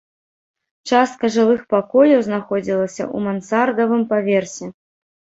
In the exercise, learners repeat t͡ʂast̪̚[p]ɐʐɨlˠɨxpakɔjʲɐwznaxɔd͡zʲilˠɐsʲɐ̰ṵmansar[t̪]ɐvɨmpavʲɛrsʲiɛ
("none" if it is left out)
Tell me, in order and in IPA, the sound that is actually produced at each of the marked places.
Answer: k, d̪

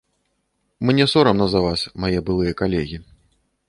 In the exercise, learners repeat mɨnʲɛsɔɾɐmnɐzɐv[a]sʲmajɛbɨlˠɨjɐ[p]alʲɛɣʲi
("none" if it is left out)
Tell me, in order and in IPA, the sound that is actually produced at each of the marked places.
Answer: a, k

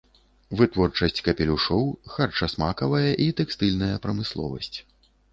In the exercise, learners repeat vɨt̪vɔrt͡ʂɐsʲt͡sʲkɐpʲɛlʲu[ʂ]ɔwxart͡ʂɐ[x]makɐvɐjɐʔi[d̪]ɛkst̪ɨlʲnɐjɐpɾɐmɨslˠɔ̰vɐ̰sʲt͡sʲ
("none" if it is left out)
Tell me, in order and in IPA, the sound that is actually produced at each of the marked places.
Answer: ʂ, s, t̪

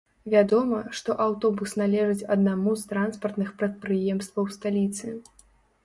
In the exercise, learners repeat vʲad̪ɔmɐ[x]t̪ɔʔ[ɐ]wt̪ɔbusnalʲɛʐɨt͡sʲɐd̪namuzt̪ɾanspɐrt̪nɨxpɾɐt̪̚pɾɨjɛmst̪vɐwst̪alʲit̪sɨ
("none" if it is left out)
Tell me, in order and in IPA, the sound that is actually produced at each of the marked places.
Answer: ʂ, a

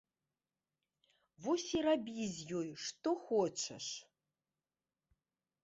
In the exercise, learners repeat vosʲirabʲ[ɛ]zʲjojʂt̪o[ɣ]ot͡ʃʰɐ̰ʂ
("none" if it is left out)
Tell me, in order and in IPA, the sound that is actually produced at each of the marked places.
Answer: i, x

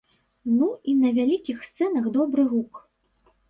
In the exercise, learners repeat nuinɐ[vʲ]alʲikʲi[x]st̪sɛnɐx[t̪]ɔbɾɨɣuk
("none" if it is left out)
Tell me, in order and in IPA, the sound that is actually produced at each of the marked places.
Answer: vʲ, x, d̪

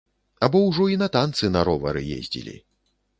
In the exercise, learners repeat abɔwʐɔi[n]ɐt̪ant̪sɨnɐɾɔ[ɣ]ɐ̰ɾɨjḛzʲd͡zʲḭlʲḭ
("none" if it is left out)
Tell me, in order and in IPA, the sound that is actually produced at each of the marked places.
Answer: n, v

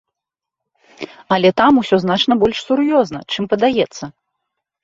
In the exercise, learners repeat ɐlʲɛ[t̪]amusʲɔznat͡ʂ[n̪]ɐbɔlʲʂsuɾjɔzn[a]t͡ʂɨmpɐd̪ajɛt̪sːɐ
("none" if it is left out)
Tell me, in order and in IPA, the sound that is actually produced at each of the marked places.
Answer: t̪, n̪, ɐ

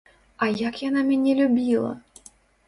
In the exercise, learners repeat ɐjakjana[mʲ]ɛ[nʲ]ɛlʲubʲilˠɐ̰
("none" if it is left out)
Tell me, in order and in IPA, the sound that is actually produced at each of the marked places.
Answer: mʲ, nʲ

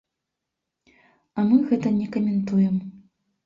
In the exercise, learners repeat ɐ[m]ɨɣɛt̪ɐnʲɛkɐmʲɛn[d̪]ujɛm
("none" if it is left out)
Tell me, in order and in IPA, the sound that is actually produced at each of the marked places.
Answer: m, t̪

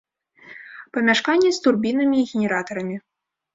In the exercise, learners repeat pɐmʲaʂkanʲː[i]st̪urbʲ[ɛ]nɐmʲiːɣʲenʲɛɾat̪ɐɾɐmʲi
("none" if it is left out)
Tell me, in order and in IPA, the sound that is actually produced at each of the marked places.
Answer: ɛ, i

